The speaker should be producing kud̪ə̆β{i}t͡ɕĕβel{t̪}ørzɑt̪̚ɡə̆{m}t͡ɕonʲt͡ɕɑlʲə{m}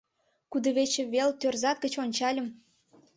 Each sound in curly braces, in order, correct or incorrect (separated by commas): incorrect, correct, incorrect, correct